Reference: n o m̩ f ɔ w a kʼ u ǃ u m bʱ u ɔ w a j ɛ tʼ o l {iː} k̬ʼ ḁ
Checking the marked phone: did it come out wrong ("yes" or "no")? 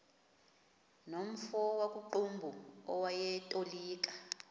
no